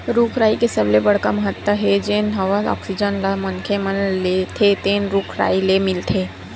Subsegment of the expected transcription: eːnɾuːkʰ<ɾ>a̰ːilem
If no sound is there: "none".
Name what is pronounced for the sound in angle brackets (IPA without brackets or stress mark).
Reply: ɾ